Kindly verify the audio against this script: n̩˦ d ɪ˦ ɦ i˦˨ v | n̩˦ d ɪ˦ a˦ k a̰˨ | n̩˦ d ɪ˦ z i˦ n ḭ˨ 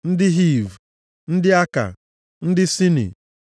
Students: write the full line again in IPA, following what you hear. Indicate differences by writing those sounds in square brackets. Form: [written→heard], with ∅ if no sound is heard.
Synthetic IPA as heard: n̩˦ d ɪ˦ ɦ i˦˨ v | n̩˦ d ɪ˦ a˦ k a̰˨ | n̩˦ d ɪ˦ [z→s] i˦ n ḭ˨